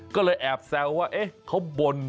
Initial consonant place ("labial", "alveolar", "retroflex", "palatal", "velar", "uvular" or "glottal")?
velar